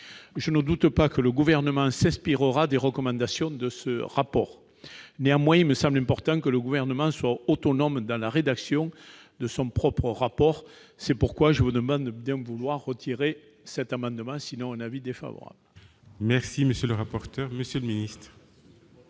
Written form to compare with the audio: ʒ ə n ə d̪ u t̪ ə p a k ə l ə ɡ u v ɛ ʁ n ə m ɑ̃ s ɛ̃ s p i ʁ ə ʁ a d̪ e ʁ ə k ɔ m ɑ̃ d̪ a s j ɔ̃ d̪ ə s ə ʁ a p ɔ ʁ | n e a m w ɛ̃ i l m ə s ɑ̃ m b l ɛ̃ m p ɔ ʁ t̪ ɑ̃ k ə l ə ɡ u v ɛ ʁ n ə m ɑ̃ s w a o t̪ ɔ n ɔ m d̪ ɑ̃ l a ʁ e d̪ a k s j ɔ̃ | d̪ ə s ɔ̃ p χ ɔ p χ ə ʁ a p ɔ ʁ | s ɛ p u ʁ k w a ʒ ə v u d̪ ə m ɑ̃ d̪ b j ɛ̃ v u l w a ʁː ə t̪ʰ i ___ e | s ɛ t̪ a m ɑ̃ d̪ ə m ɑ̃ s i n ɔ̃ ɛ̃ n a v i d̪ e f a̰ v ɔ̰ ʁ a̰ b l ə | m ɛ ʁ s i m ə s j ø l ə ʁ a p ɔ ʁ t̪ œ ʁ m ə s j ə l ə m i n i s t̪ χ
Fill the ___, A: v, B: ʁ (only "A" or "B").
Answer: B